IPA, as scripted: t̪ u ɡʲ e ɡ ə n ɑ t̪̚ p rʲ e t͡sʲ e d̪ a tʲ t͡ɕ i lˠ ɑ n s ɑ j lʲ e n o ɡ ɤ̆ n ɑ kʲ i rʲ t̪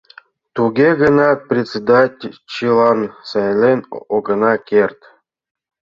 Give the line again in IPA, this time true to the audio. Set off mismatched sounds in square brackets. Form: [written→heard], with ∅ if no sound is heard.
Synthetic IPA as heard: t̪ u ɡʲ e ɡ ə n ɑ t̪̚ p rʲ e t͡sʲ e d̪ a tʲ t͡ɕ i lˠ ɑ n s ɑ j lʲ e n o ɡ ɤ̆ n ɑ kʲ [i→e] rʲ t̪